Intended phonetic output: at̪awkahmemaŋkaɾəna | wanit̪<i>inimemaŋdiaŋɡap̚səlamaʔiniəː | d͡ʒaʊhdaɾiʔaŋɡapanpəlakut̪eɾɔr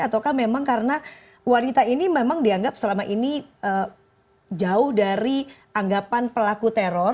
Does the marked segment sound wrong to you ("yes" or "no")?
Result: yes